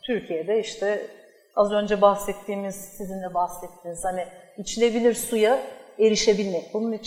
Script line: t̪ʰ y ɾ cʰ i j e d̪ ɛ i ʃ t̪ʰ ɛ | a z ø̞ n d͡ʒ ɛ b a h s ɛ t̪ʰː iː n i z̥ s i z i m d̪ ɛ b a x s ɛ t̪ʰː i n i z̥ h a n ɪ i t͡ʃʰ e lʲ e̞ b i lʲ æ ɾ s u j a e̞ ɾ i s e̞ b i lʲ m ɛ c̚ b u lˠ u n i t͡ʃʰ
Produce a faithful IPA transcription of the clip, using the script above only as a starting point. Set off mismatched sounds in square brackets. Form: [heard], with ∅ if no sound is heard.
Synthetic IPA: t̪ʰ y ɾ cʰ i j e d̪ ɛ i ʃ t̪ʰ ɛ | a z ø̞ n d͡ʒ ɛ b a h s ɛ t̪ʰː iː [m] i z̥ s i z i [n] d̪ ɛ b a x s ɛ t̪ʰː i n i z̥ h a n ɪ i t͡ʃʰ [i] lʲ e̞ b i lʲ [i] ɾ s u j a e̞ ɾ i [ʃ] e̞ b i lʲ m ɛ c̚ b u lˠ u n i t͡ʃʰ